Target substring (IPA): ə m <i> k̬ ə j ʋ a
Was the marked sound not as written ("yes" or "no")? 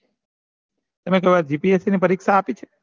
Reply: yes